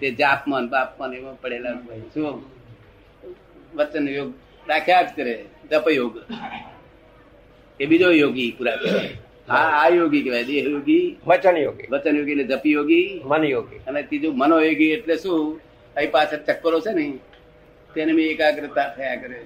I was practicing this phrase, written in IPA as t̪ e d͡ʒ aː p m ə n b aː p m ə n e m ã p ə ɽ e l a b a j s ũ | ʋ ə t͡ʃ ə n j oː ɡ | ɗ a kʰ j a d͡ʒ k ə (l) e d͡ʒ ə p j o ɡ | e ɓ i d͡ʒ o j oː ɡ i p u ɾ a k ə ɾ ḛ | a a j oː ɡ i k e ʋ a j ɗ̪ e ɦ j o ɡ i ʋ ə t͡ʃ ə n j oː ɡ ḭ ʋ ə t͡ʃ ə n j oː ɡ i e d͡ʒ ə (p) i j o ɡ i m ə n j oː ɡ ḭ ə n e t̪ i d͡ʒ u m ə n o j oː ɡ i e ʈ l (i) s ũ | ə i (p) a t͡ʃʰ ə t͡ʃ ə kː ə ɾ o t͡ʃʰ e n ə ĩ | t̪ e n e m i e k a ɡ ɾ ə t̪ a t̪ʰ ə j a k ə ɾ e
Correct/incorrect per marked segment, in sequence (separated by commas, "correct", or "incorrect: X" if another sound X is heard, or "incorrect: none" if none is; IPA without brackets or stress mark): incorrect: ɾ, correct, incorrect: e, correct